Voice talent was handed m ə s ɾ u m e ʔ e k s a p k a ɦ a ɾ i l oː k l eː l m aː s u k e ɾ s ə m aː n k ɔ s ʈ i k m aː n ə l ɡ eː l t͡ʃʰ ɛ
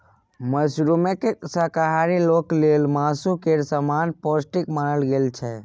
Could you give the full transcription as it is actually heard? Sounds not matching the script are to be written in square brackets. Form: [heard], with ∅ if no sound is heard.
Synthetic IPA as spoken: m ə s ɾ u m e [k] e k s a [∅] k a ɦ a ɾ i l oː k l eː l m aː s u k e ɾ s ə m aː n [p] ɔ s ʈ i k m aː n ə l ɡ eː l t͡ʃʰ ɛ